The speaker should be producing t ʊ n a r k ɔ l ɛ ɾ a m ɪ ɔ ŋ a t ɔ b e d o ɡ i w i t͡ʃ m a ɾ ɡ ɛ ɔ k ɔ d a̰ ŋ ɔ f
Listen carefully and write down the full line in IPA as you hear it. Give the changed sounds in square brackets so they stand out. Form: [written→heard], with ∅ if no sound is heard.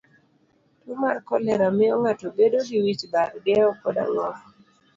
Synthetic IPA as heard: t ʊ [n→m] a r k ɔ l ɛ ɾ a m ɪ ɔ ŋ a t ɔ b e d o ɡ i w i t͡ʃ [m→b] a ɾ ɡ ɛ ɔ k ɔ d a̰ ŋ ɔ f